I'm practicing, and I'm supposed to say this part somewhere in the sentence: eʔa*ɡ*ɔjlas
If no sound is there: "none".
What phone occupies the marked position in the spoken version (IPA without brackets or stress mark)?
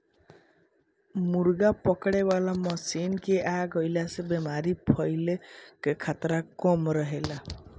ɡ